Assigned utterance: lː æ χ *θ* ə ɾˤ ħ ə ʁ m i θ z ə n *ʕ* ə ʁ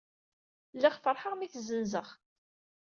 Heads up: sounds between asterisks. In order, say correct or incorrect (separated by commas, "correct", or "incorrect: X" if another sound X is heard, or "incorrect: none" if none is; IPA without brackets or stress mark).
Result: incorrect: f, incorrect: z